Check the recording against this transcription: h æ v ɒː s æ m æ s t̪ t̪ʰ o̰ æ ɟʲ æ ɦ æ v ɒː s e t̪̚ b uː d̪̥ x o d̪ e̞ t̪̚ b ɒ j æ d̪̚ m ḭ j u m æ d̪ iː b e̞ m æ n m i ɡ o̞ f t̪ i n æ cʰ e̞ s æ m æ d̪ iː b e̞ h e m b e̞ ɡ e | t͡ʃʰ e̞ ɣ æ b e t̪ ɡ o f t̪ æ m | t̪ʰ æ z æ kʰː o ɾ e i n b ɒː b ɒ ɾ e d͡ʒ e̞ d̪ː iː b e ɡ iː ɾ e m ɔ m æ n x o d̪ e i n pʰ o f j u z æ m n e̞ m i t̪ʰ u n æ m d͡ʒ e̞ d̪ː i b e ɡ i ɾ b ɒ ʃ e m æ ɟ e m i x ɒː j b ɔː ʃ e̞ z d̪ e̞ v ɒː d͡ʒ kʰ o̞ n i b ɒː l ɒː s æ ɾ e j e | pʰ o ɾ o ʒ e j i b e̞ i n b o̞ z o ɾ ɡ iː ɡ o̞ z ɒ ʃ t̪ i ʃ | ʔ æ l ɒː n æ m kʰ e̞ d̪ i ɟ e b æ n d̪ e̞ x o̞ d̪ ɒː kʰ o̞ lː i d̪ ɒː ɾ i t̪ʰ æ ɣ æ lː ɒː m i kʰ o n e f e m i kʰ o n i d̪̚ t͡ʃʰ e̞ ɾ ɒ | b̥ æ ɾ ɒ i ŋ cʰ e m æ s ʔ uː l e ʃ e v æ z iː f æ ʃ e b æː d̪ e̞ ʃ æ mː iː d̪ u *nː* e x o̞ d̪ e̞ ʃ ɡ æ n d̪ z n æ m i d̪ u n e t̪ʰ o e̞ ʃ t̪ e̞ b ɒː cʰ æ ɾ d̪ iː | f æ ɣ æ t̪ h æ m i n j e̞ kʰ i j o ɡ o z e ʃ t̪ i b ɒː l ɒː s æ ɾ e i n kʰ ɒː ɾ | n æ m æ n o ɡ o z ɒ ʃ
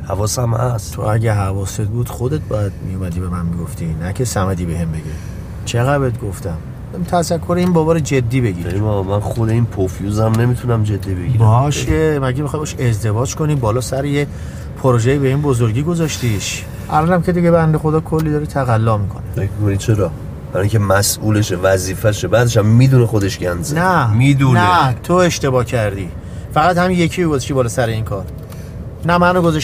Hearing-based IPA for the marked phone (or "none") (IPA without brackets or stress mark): n